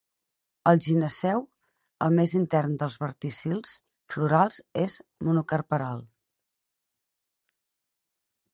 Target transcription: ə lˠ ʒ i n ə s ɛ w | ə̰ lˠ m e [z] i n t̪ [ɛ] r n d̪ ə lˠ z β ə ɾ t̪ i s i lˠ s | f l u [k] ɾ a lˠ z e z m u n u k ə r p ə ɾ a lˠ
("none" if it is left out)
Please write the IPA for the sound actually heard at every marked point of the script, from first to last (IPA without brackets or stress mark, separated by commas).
z, ɛ, none